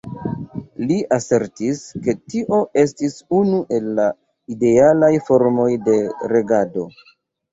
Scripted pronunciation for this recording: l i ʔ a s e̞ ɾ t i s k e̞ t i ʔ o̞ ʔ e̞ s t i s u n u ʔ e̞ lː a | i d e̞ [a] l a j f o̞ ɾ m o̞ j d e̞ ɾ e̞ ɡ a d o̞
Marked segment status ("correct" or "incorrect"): correct